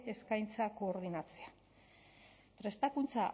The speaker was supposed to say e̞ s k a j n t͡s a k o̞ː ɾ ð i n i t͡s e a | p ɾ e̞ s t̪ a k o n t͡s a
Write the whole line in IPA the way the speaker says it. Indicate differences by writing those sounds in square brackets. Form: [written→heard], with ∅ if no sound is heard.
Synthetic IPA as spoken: e̞ s k a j n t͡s a k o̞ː ɾ ð i n [i→a] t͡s e a | p ɾ e̞ s t̪ a k [o→u] n t͡s a